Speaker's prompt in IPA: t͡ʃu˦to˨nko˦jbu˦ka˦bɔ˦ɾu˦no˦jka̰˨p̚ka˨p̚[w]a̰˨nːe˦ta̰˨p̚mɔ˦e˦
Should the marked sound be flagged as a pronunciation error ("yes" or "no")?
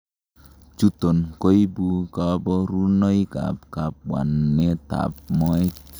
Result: no